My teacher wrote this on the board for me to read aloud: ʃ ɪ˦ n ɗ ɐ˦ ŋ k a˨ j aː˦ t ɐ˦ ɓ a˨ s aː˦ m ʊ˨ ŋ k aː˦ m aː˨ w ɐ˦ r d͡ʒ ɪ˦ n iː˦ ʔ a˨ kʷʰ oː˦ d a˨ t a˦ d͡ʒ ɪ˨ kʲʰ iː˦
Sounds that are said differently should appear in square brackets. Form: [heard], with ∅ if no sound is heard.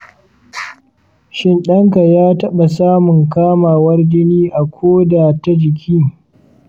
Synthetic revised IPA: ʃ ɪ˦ n ɗ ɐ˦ ŋ k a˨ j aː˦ t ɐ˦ ɓ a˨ s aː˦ m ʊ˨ ŋ k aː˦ m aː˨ w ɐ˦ r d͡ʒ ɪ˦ n iː˦ ʔ a˨ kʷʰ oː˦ d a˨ t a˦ d͡ʒ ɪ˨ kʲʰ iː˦

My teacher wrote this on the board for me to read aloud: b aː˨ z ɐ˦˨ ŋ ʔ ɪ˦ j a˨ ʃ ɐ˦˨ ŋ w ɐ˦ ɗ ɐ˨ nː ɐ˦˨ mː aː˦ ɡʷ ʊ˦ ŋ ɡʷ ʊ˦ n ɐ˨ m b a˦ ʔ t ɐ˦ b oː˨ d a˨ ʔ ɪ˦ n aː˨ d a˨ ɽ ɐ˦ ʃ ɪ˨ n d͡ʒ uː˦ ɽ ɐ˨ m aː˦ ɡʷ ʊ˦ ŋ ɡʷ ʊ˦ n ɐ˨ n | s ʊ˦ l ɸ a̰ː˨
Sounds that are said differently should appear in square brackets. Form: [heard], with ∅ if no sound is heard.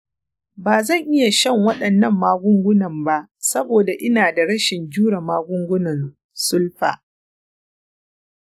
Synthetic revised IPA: b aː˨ z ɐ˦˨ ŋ ʔ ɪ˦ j a˨ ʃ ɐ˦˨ ŋ w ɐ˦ ɗ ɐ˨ nː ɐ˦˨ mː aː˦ ɡʷ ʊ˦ ŋ ɡʷ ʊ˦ n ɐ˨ m b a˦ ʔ [s] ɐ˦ b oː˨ d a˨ ʔ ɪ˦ n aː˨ d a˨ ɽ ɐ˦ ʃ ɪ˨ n d͡ʒ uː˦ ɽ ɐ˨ m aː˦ ɡʷ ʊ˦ ŋ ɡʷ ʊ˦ n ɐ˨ n | s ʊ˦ l ɸ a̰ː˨

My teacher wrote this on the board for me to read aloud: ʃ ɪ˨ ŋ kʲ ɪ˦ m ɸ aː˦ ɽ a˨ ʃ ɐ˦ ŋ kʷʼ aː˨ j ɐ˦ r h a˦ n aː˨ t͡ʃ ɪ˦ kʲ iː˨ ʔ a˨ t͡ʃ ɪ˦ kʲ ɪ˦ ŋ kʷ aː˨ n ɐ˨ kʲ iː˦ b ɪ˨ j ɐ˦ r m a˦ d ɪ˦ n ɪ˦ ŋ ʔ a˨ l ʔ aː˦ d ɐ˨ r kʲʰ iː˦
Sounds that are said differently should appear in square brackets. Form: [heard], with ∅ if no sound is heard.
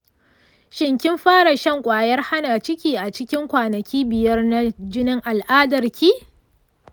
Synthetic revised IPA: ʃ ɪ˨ ŋ kʲ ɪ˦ m ɸ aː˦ ɽ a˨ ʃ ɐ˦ ŋ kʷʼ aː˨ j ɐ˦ r h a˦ n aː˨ t͡ʃ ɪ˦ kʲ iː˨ ʔ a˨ t͡ʃ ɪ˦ kʲ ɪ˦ ŋ kʷ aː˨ n ɐ˨ kʲ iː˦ b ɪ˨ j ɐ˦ r [n] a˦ [d͡ʒ] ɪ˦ n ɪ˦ ŋ ʔ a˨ l ʔ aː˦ d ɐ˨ r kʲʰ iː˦

